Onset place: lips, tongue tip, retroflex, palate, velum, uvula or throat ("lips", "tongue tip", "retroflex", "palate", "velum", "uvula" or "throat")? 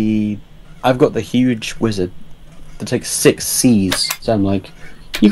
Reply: lips